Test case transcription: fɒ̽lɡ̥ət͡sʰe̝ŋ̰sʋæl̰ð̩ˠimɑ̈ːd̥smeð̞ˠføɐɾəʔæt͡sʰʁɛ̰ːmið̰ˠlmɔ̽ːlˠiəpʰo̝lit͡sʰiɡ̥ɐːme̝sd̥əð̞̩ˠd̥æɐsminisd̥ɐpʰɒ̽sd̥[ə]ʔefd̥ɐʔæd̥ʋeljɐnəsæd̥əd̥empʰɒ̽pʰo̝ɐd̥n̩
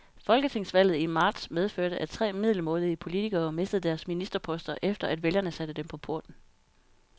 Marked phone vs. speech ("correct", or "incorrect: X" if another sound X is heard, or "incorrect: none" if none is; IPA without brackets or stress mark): incorrect: ɐ